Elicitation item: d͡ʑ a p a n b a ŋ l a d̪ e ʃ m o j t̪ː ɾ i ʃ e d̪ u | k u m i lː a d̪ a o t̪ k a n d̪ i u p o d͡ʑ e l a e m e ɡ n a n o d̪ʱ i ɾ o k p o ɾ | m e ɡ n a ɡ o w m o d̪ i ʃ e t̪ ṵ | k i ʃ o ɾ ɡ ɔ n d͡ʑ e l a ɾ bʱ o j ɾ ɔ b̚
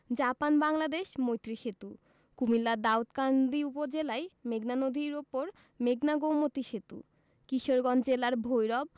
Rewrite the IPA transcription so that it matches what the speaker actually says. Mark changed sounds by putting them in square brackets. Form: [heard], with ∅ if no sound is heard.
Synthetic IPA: d͡ʑ a p a n b a ŋ l a d̪ e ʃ m o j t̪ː ɾ i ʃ e [t̪] u | k u m i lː a d̪ a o t̪ k a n d̪ i u p o d͡ʑ e l a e m e ɡ n a n o d̪ʱ i ɾ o [∅] p o ɾ | m e ɡ n a ɡ o w m o [t̪] i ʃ e t̪ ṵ | k i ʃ o ɾ ɡ ɔ n d͡ʑ e l a ɾ bʱ o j ɾ ɔ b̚